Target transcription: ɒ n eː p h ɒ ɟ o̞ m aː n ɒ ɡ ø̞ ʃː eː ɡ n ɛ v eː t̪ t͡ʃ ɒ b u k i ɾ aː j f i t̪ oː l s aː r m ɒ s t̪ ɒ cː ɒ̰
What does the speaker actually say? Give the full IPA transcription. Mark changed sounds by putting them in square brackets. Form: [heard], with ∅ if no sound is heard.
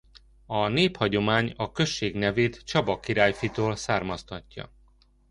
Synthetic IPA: ɒ n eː p h ɒ ɟ o̞ m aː [ɲ] ɒ [k] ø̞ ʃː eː ɡ n ɛ v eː t̪ t͡ʃ ɒ b [ɒ] k i ɾ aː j f i t̪ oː l s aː r m ɒ s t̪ ɒ cː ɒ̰